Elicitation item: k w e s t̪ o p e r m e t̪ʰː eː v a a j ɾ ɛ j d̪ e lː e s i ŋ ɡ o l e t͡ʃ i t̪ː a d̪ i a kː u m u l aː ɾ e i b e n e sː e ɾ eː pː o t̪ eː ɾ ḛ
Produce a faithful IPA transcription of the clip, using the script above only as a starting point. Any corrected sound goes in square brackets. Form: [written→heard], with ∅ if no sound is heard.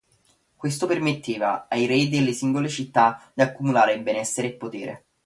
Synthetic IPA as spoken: k w e s t̪ o p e r m e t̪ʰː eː v a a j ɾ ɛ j d̪ e lː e s i ŋ ɡ o l e t͡ʃ i t̪ː a d̪ i a kː u m u l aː ɾ e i b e n [e→ɛ] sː e ɾ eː pː o t̪ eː ɾ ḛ